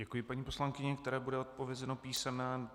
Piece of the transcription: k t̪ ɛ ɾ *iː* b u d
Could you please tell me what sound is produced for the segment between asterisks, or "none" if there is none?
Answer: ɛː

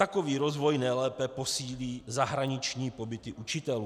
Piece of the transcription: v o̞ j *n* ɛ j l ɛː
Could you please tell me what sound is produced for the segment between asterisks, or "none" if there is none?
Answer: n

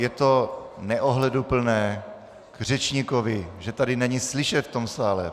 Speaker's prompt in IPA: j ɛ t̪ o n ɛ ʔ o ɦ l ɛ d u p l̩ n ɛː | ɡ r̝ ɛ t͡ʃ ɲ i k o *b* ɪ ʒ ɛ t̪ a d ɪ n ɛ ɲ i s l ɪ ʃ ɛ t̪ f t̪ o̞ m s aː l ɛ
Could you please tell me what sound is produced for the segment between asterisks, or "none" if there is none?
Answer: v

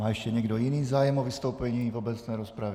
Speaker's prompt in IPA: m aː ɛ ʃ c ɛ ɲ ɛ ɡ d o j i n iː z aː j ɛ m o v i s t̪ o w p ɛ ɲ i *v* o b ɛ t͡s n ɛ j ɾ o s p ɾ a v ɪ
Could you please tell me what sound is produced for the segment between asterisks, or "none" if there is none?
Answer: v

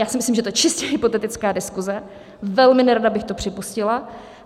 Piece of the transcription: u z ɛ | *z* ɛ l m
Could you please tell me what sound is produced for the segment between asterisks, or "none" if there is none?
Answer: v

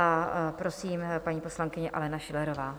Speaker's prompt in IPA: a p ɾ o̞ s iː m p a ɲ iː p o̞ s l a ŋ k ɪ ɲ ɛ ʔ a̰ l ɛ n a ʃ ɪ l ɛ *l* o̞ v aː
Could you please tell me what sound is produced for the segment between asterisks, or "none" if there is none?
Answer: ɾ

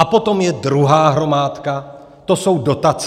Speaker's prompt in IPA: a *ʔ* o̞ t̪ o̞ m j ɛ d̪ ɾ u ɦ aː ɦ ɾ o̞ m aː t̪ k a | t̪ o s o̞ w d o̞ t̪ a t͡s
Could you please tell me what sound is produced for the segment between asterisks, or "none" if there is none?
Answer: p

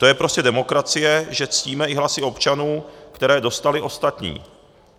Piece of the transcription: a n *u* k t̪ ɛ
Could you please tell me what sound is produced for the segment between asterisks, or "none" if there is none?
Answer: uː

